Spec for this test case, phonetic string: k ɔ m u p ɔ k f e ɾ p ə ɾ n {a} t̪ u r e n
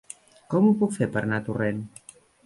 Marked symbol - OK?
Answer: yes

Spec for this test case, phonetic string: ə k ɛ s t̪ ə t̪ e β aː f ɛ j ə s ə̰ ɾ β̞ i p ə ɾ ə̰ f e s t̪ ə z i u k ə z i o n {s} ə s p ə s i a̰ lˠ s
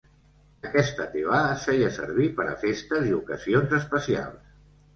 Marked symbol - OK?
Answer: no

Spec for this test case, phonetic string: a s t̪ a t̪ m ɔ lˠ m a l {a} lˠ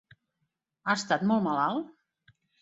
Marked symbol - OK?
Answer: yes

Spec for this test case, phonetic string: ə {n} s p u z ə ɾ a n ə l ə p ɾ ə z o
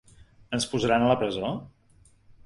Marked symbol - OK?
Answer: yes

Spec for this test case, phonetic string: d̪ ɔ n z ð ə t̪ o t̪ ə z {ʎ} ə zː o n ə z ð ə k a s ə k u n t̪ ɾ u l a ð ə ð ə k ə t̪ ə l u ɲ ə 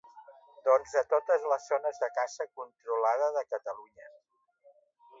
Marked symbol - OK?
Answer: no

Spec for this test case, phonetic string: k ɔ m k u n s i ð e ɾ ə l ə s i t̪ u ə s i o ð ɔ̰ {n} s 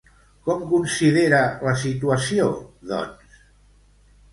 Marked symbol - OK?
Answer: yes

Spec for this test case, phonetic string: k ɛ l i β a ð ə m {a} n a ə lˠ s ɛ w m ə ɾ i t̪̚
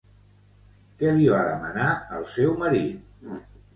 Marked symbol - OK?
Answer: no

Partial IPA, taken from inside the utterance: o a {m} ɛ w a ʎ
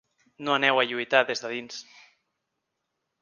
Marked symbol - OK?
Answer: no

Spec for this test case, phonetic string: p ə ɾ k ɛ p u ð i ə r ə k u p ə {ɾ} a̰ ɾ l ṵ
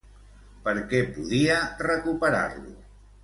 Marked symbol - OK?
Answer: yes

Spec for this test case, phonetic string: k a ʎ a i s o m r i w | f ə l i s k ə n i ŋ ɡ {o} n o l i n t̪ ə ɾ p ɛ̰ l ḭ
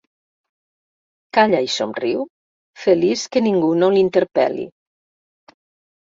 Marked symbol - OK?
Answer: no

